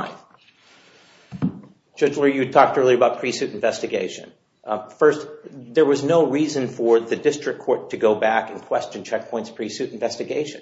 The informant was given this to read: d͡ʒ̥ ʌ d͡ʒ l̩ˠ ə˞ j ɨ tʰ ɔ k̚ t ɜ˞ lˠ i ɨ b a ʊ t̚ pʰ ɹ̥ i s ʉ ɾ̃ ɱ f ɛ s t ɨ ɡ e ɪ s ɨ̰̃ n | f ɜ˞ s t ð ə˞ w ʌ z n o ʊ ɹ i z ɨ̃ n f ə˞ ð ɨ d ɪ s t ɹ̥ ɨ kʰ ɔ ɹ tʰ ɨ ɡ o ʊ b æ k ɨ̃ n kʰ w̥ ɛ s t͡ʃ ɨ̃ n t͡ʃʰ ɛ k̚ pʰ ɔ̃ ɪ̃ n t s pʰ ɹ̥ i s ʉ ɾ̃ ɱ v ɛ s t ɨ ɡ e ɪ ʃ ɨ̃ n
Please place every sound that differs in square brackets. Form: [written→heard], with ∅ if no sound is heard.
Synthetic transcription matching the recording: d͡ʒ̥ ʌ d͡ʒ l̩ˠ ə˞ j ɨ tʰ ɔ k̚ t ɜ˞ lˠ i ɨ b a ʊ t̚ pʰ ɹ̥ i s ʉ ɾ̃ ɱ [f→v] ɛ s t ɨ ɡ e ɪ [s→ʃ] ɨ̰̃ n | f ɜ˞ s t ð ə˞ w ʌ z n o ʊ ɹ i z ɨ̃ n f ə˞ ð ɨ d ɪ s t ɹ̥ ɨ kʰ ɔ ɹ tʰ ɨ ɡ o ʊ b æ k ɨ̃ n kʰ w̥ ɛ s t͡ʃ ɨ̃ n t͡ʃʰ ɛ k̚ pʰ ɔ̃ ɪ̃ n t s pʰ ɹ̥ i s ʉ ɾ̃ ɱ v ɛ s t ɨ ɡ e ɪ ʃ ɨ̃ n

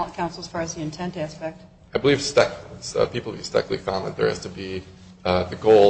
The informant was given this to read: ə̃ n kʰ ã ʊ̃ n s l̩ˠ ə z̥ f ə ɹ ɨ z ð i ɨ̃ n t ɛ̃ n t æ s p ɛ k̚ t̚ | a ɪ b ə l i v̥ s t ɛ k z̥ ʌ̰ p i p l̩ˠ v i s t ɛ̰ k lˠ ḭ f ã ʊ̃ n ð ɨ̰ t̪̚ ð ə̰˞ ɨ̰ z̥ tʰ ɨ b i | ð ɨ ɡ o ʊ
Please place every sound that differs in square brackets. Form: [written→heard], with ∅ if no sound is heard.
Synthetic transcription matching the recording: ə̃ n kʰ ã ʊ̃ n s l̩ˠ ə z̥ f [ə→ɑ] ɹ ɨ z ð i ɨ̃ n [t→tʰ] ɛ̃ n t æ s p ɛ k̚ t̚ | a ɪ b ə l i v̥ s t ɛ k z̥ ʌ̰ p i p l̩ˠ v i s t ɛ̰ k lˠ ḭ f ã ʊ̃ n ð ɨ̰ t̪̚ ð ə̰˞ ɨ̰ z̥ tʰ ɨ b i | ð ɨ ɡ o ʊ

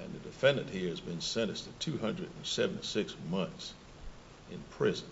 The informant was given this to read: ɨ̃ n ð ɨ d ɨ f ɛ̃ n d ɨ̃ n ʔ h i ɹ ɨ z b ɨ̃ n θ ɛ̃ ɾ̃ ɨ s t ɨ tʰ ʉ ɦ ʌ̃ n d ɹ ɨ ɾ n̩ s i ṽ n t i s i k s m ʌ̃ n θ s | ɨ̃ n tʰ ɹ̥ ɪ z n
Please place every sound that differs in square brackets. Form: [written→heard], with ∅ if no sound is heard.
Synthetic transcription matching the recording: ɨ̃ n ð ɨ d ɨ f ɛ̃ n d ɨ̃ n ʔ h i ɹ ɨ z b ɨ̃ n [θ→s] ɛ̃ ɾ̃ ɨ s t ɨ tʰ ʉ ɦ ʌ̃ n d ɹ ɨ ɾ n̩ s [i→ɛ] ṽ n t i s [i→ɪ] k s m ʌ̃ n θ s | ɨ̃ n [tʰ→pʰ] ɹ̥ ɪ z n

